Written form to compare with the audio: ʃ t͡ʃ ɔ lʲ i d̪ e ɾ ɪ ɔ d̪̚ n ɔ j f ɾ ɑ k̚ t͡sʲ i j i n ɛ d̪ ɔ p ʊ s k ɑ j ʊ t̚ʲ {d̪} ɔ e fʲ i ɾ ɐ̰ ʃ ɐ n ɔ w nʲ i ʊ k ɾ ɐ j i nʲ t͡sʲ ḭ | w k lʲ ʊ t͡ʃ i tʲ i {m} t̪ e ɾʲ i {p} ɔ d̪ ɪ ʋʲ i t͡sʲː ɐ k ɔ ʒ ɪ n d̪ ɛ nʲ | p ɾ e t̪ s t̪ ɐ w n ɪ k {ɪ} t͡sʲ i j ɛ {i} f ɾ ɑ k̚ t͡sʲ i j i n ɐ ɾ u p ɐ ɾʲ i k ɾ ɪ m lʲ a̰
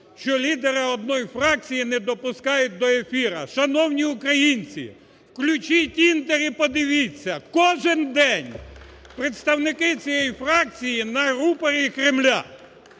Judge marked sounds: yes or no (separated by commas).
yes, no, yes, yes, no